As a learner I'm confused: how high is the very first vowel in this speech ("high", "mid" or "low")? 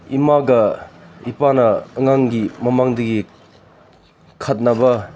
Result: high